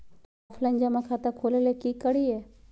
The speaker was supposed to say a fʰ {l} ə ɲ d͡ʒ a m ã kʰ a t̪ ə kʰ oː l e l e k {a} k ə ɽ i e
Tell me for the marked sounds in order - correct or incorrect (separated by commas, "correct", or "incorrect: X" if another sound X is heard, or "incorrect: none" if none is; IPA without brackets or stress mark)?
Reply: correct, incorrect: i